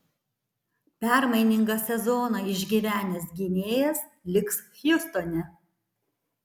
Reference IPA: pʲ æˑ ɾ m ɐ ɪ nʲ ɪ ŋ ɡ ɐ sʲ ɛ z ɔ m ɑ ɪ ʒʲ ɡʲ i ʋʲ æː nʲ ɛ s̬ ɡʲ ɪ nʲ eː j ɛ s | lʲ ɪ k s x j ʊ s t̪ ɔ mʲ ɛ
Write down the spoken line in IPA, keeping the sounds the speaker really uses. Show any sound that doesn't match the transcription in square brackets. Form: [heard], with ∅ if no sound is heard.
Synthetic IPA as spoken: pʲ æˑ ɾ m ɐ ɪ nʲ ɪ ŋ ɡ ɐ sʲ ɛ z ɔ [n] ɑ ɪ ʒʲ ɡʲ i ʋʲ æː nʲ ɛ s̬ ɡʲ ɪ nʲ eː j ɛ s | lʲ ɪ k s x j ʊ s t̪ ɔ [nʲ] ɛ

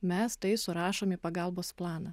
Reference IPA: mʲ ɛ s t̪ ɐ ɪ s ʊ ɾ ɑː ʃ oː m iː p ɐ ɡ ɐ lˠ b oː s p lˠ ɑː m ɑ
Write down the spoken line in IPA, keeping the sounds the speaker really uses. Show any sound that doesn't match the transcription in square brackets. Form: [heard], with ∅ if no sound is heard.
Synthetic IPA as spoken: mʲ ɛ s t̪ ɐ ɪ s ʊ ɾ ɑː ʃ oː m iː p ɐ ɡ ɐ lˠ b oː s p lˠ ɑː [n] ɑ

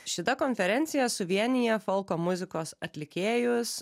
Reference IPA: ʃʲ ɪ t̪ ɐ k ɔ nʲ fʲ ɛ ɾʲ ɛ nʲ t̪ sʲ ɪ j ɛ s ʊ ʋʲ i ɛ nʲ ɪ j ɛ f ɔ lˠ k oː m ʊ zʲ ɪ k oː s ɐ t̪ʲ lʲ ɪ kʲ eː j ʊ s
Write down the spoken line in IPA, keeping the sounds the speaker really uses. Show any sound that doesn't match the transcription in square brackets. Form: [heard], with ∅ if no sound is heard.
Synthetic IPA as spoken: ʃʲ ɪ t̪ ɐ k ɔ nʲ fʲ ɛ ɾʲ ɛ nʲ t̪ sʲ ɪ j ɛ s ʊ ʋʲ i ɛ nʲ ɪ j ɛ f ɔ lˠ k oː m ʊ zʲ ɪ k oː s ɐ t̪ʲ lʲ ɪ kʲ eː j ʊ s

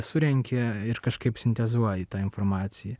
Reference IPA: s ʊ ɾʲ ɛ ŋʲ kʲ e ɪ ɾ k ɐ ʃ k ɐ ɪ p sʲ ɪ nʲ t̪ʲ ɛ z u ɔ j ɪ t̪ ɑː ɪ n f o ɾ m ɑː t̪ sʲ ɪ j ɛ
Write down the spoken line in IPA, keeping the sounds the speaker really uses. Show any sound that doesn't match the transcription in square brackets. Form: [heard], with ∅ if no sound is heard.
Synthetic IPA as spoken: s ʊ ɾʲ ɛ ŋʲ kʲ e ɪ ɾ k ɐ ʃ k ɐ ɪ p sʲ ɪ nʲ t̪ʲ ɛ z u ɔ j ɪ t̪ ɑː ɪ n f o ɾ m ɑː t̪ sʲ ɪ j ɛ

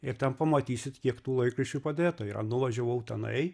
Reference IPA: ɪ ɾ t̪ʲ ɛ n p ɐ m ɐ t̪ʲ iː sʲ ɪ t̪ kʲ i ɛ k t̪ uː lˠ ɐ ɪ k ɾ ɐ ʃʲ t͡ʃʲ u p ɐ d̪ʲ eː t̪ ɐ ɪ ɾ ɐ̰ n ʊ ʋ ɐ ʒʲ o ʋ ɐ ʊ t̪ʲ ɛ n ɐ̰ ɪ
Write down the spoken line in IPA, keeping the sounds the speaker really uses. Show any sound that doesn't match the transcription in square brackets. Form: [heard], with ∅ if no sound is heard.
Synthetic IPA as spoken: ɪ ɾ t̪ʲ ɛ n p ɐ m ɐ t̪ʲ iː sʲ ɪ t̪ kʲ i ɛ k t̪ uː lˠ ɐ ɪ k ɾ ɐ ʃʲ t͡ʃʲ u p ɐ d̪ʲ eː t̪ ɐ ɪ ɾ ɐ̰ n ʊ ʋ ɐ ʒʲ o ʋ ɐ ʊ t̪ʲ ɛ n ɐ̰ ɪ

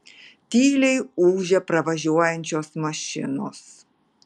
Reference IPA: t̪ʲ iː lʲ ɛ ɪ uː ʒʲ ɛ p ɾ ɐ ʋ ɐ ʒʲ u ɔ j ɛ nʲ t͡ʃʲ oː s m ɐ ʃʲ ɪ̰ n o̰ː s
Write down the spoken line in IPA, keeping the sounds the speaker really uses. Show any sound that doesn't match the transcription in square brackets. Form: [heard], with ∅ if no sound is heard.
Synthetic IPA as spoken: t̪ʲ iː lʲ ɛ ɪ uː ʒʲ ɛ p ɾ ɐ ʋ ɐ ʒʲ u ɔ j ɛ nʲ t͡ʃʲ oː s m ɐ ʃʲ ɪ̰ n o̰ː s

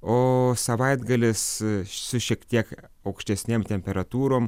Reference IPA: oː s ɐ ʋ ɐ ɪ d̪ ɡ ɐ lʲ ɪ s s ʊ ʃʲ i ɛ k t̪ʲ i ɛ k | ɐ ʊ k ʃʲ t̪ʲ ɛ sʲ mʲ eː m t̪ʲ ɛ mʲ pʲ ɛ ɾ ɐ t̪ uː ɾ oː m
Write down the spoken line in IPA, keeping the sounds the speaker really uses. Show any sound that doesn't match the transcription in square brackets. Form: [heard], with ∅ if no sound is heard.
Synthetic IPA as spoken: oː s ɐ ʋ ɐ ɪ d̪ ɡ ɐ lʲ ɪ s s ʊ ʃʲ i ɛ k t̪ʲ i ɛ k | ɐ ʊ k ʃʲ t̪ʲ ɛ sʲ [nʲ] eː m t̪ʲ ɛ mʲ pʲ ɛ ɾ ɐ t̪ uː ɾ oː m

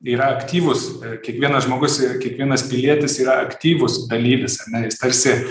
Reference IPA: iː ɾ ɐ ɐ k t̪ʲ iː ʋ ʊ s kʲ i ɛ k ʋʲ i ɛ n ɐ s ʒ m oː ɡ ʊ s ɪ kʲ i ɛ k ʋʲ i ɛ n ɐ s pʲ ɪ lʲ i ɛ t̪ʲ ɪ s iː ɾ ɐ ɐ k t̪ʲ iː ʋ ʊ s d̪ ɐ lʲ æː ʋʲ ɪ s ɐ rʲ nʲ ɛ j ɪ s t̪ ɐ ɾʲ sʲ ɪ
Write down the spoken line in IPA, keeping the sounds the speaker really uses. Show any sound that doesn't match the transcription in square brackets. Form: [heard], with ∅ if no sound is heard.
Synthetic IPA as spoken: iː ɾ ɐ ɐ k t̪ʲ iː ʋ ʊ s kʲ i ɛ k ʋʲ i ɛ n ɐ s ʒ m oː ɡ ʊ s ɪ kʲ i ɛ k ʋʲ i ɛ n ɐ s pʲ ɪ lʲ i ɛ t̪ʲ ɪ s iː ɾ ɐ ɐ k t̪ʲ iː ʋ ʊ s d̪ ɐ lʲ [iː] ʋʲ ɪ s ɐ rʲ nʲ ɛ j ɪ s t̪ ɐ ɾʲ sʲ ɪ

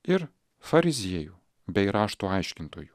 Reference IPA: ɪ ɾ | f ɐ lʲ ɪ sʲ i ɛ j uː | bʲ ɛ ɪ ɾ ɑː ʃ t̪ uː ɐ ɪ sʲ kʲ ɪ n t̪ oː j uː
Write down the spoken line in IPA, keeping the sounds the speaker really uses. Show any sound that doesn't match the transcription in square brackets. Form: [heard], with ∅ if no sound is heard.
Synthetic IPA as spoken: ɪ ɾ | f ɐ [ɾʲ] ɪ [zʲ] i ɛ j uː | bʲ ɛ ɪ ɾ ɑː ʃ t̪ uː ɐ ɪ [ʃʲ] kʲ ɪ n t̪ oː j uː

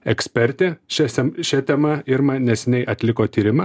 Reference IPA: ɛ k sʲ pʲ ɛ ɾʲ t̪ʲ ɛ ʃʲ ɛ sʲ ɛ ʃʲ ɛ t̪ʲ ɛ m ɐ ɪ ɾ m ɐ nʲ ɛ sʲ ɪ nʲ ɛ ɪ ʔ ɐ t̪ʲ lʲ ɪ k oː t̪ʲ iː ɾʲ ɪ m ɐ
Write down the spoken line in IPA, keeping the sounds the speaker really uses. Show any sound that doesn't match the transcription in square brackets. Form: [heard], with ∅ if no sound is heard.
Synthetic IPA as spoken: ɛ k sʲ pʲ ɛ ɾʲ t̪ʲ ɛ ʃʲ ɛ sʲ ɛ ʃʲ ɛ t̪ʲ ɛ m ɐ ɪ ɾ m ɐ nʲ ɛ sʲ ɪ nʲ ɛ ɪ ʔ ɐ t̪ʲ lʲ ɪ k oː t̪ʲ iː ɾʲ ɪ m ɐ

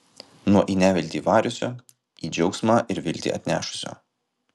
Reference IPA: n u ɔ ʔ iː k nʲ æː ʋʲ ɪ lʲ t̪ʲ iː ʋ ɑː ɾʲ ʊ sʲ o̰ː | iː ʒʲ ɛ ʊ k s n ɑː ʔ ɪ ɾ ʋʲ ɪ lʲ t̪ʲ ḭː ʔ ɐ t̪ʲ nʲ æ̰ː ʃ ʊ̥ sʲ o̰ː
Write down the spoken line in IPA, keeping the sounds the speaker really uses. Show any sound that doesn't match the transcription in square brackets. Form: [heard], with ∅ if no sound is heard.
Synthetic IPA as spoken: n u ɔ ʔ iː [∅] nʲ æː ʋʲ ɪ lʲ t̪ʲ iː ʋ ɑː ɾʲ ʊ sʲ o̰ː | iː [d͡ʒʲ] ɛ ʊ k s [m] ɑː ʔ ɪ ɾ ʋʲ ɪ lʲ t̪ʲ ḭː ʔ ɐ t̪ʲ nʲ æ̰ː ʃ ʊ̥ sʲ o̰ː

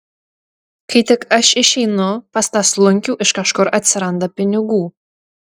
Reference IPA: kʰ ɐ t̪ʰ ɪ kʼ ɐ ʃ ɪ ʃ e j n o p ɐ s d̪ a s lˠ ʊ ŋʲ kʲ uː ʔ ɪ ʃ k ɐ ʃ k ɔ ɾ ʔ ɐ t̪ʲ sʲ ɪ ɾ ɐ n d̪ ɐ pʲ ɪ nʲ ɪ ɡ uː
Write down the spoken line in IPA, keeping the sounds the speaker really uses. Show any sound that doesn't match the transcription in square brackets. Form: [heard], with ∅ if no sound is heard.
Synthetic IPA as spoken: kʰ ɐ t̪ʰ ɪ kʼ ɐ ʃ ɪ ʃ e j n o p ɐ s [t̪] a s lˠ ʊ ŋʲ kʲ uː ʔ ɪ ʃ k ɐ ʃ k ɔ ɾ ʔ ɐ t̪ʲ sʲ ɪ ɾ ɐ n d̪ ɐ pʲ ɪ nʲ ɪ ɡ uː

